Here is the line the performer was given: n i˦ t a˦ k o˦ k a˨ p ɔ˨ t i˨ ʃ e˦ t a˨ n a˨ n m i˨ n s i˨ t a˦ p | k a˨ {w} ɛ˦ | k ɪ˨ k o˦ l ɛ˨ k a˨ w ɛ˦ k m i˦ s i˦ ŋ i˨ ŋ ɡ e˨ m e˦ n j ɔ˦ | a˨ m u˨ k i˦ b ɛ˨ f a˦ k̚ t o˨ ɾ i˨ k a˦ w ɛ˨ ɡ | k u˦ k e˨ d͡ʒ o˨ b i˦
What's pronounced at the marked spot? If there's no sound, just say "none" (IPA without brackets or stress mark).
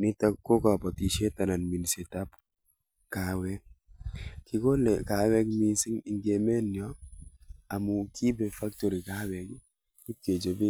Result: w